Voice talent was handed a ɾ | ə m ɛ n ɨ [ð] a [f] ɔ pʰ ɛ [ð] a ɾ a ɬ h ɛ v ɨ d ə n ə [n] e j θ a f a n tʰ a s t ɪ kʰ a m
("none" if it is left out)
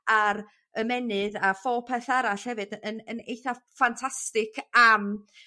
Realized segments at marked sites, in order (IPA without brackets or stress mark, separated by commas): ð, f, θ, n